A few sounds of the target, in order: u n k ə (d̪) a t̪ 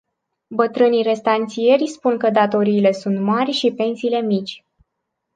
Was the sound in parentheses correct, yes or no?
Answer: yes